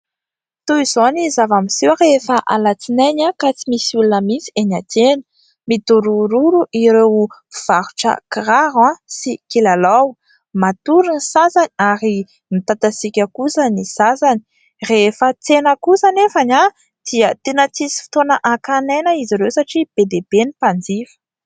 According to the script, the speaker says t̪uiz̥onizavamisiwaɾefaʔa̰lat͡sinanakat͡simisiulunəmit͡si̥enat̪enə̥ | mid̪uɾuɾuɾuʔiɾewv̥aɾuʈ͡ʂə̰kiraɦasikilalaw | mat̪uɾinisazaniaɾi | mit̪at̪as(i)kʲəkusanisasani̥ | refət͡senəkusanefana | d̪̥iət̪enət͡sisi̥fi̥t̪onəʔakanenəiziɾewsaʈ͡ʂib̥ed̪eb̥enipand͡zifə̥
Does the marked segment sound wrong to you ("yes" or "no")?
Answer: no